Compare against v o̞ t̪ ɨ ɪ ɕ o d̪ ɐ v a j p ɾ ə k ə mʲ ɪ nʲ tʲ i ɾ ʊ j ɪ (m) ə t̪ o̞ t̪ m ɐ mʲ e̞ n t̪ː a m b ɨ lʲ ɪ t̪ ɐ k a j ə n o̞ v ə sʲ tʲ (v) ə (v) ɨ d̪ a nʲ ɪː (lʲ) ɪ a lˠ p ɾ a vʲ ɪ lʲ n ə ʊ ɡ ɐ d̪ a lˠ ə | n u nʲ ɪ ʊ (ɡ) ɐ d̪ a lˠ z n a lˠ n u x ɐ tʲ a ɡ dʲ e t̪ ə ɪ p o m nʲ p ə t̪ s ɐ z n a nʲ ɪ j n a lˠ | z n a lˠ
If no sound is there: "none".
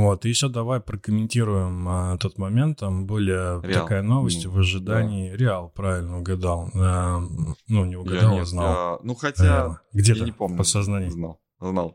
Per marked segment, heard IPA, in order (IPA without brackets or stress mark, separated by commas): m, v, ʐ, ɾʲ, ɡ